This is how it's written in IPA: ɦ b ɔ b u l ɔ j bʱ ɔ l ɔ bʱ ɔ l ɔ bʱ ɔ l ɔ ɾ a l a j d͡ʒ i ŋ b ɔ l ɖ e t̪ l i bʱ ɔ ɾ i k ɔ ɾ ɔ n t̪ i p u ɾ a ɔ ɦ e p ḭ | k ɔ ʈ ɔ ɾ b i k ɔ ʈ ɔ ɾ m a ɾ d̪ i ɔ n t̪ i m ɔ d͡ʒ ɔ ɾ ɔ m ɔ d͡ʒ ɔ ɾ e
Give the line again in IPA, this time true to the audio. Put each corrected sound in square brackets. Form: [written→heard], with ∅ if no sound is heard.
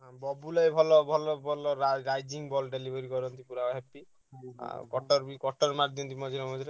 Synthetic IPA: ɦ b ɔ b u l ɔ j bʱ ɔ l ɔ bʱ ɔ l ɔ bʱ ɔ l ɔ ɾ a [l→ɾ] a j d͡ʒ i ŋ b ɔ l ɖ e [t̪→∅] l i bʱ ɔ ɾ i k ɔ ɾ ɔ n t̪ i p u ɾ a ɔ ɦ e p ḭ | k ɔ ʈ ɔ ɾ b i k ɔ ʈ ɔ ɾ m a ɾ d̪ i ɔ n t̪ i m ɔ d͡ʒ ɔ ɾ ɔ m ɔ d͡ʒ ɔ ɾ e